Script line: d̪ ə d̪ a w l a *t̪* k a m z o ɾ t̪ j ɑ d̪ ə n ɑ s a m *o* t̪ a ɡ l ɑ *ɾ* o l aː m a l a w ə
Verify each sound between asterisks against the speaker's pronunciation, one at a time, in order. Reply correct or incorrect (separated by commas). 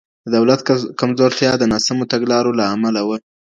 correct, correct, correct